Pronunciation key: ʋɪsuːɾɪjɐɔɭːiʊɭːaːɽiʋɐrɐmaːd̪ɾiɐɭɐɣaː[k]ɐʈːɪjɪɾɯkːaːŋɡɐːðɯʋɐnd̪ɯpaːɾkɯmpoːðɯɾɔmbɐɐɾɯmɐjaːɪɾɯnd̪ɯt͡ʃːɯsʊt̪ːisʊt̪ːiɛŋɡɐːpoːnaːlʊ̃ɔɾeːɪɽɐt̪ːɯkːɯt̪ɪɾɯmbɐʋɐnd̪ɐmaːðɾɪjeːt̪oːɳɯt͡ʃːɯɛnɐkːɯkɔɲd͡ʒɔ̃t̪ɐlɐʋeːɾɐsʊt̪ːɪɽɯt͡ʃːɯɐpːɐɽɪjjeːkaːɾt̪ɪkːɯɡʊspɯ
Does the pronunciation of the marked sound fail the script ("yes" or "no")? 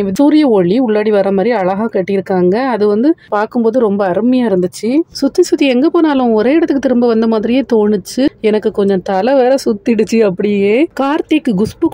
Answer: no